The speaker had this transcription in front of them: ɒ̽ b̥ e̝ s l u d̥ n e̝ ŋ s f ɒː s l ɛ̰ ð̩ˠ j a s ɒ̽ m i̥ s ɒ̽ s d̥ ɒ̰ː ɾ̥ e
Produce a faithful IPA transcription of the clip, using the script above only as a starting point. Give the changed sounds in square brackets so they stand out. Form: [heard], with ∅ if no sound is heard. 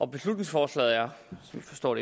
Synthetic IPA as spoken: ɒ̽ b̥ e̝ s l u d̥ n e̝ ŋ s f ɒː s l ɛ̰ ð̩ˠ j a s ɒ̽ m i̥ [f] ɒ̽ s d̥ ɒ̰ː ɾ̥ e